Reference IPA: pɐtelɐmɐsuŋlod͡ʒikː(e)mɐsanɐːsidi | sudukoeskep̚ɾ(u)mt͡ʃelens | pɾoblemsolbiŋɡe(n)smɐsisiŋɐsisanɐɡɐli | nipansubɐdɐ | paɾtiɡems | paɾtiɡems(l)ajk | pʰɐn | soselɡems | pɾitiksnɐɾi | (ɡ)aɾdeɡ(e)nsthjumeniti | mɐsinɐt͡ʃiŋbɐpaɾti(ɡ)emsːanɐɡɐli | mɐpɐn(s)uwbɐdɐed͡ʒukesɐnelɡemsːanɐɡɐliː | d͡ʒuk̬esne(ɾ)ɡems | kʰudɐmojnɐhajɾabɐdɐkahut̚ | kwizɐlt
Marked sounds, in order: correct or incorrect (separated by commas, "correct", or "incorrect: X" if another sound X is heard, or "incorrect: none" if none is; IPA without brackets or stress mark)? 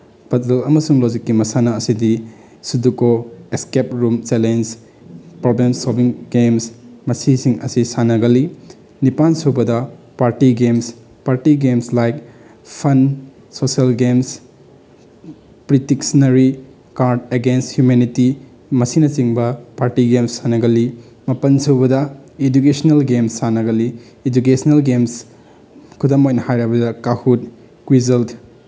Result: incorrect: i, correct, incorrect: m, correct, incorrect: k, correct, correct, correct, incorrect: l